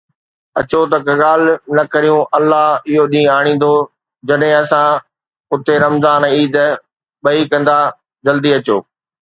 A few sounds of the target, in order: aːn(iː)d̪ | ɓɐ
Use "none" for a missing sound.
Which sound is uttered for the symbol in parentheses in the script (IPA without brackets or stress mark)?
iː